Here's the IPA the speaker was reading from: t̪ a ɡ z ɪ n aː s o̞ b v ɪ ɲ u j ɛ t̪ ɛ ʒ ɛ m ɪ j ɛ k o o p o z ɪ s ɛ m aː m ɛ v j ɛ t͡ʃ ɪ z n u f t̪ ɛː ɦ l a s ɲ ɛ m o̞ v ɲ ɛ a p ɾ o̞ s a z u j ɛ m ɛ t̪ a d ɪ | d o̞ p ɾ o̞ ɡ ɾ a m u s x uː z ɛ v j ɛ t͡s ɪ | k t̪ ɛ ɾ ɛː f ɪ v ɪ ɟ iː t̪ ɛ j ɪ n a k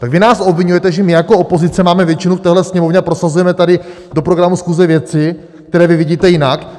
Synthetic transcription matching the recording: t̪ a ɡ v ɪ n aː s o̞ b v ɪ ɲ u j ɛ t̪ ɛ ʒ ɛ m ɪ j a k o o p o z ɪ t͡s ɛ m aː m ɛ v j ɛ t͡ʃ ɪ n u f t̪ ɛː ɦ l ɛ s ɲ ɛ m o̞ v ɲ ɛ a p ɾ o̞ s a z u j ɛ m ɛ t̪ a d ɪ | d o̞ p ɾ o̞ ɡ ɾ a m u s x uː z ɛ v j ɛ t͡s ɪ | k t̪ ɛ ɾ ɛː v ɪ v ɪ ɟ iː t̪ ɛ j ɪ n a k